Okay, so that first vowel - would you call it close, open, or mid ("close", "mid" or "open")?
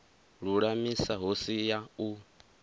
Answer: close